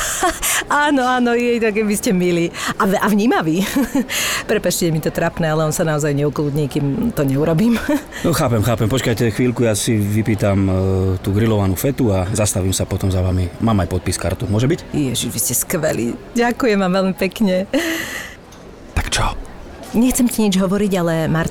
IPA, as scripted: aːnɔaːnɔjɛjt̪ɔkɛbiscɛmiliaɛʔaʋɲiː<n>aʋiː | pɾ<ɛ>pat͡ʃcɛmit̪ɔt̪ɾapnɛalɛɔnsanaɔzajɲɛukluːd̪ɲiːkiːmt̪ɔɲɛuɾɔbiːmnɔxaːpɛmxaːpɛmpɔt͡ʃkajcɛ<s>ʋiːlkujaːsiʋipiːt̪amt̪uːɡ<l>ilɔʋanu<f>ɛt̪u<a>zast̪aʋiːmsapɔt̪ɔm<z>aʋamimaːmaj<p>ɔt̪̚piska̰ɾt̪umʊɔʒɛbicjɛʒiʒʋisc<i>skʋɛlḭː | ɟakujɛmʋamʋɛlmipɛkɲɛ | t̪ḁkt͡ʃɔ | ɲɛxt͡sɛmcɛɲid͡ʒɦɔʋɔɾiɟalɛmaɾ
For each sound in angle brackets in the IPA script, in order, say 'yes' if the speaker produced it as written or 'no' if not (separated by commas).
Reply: no, yes, no, no, yes, yes, yes, yes, no